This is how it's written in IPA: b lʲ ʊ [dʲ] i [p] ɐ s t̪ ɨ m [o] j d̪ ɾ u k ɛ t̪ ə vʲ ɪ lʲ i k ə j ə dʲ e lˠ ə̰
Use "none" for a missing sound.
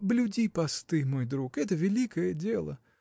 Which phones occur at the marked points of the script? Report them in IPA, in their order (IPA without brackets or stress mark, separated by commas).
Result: dʲ, p, o